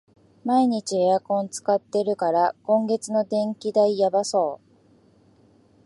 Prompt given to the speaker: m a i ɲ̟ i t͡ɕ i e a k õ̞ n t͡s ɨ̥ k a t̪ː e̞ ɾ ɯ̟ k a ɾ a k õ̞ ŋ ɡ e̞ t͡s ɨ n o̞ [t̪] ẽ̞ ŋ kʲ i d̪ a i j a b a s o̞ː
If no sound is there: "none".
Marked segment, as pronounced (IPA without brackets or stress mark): d̪